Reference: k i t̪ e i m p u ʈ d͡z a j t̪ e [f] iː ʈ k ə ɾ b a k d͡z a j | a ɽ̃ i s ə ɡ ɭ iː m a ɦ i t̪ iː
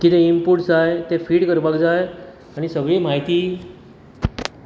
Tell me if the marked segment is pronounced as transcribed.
yes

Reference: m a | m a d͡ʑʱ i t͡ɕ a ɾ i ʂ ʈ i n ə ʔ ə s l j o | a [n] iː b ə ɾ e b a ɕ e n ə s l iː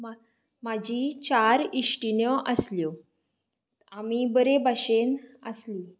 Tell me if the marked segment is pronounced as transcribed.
no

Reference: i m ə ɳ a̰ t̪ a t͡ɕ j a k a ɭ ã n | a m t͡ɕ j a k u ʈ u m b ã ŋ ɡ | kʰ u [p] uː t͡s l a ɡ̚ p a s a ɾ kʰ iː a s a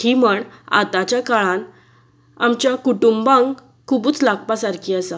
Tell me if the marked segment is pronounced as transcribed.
no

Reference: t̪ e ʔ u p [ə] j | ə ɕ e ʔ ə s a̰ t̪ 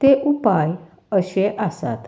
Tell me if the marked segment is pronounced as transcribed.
no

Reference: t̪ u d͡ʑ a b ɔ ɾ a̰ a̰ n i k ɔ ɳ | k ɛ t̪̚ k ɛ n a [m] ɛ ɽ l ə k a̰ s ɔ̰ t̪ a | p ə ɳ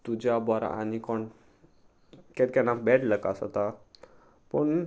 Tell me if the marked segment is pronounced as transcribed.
no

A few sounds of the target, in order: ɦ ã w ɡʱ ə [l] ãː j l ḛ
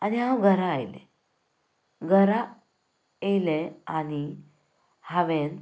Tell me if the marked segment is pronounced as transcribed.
no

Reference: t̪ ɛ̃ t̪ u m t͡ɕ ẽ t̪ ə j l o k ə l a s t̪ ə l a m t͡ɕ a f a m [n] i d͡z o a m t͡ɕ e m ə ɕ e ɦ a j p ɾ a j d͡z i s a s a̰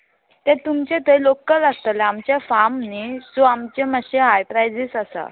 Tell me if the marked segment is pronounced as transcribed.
yes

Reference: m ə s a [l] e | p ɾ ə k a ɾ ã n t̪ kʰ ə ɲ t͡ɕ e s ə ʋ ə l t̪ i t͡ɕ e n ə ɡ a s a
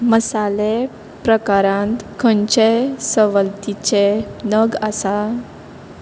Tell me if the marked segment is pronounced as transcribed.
yes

